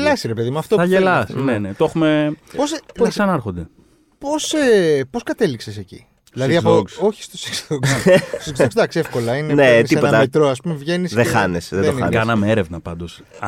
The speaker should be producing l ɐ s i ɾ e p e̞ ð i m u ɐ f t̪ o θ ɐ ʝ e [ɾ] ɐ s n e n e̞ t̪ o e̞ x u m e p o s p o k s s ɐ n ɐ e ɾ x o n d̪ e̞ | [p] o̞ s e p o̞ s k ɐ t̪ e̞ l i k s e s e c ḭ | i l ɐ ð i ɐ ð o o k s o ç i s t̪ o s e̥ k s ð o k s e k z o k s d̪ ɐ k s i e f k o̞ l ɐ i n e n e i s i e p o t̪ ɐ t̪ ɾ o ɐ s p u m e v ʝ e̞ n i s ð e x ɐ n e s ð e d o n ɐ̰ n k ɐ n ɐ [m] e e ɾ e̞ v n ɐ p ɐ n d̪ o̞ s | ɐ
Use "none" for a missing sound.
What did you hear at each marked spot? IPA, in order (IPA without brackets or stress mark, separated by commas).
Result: l, p, m